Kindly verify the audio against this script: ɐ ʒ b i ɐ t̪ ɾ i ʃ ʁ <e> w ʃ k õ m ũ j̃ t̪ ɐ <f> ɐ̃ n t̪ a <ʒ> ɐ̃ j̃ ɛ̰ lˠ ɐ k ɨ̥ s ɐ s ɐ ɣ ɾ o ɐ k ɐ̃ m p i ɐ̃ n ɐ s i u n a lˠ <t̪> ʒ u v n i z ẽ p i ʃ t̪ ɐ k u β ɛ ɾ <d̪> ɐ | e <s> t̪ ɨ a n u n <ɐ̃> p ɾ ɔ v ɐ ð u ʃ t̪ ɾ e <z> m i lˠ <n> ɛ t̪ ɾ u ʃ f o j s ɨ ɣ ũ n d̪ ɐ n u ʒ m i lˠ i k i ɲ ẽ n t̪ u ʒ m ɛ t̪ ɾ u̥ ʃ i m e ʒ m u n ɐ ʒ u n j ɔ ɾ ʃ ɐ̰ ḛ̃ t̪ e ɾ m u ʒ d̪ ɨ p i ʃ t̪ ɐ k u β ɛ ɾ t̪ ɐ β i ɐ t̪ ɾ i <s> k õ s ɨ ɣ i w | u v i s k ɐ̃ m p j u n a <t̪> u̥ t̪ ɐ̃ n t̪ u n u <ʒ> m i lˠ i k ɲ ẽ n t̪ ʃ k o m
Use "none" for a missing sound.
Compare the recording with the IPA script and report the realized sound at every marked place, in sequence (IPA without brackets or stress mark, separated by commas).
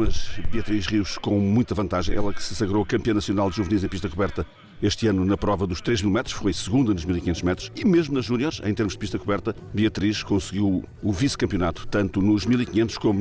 i, v, ʒ, d̪, t̪, ʃ, ɐ, ʒ, m, ʃ, t̪, ʒ